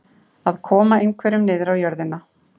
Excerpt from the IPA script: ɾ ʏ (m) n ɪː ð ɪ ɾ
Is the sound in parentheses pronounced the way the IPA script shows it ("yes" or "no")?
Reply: yes